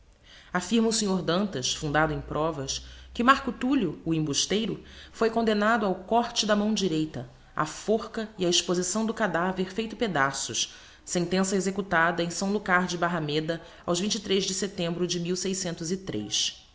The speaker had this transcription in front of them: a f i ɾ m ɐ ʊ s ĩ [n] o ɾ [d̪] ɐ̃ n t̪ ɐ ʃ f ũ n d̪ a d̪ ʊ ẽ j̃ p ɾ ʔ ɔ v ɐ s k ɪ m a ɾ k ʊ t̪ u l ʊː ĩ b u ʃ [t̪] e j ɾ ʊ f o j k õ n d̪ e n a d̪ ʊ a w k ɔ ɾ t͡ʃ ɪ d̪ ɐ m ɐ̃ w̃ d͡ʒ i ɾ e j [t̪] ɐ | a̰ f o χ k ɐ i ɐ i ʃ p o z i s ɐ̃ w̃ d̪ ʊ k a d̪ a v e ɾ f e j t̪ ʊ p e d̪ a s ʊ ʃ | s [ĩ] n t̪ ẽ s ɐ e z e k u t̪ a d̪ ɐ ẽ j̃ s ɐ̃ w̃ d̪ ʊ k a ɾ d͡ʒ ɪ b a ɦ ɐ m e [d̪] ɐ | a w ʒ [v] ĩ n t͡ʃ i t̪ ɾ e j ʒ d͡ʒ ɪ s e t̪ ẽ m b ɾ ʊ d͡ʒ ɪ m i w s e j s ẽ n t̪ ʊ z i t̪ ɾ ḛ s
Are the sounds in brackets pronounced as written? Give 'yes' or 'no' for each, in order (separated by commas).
no, yes, yes, yes, no, yes, yes